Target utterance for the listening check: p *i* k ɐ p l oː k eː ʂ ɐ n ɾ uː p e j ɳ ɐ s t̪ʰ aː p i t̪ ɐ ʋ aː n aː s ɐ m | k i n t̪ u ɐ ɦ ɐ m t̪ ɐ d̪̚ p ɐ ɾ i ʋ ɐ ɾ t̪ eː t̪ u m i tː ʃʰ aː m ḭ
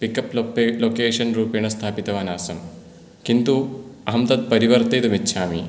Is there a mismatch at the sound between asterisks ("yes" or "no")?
no